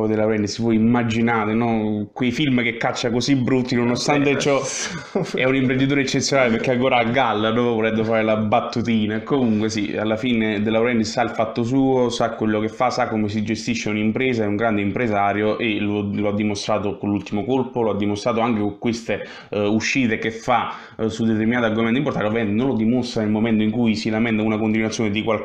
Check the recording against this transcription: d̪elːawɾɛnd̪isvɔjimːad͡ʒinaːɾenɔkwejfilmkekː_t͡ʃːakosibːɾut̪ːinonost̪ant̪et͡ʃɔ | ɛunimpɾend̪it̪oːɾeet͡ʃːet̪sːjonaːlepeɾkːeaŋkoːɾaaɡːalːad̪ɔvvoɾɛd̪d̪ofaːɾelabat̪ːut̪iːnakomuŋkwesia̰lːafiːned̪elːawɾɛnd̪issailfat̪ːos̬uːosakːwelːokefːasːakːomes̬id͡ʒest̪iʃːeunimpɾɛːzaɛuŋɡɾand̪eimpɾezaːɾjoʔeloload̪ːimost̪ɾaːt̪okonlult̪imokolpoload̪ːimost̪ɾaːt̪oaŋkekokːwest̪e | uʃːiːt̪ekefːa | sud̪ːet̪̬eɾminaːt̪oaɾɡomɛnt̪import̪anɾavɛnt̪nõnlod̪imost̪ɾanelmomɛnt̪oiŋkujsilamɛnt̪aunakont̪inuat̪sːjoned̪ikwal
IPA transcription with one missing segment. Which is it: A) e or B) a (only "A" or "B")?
B